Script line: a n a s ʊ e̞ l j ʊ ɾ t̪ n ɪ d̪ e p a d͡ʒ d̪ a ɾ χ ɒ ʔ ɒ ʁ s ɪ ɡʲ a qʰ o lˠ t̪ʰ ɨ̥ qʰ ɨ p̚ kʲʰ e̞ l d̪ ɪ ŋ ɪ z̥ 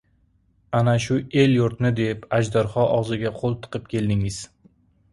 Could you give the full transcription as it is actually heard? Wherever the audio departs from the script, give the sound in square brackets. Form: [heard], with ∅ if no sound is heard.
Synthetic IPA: a n a [ʃ] ʊ e̞ l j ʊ ɾ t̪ n ɪ d̪ e p a d͡ʒ d̪ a ɾ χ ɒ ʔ ɒ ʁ [z] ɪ ɡʲ a qʰ o lˠ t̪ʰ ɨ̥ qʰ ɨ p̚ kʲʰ e̞ l d̪ ɪ ŋ ɪ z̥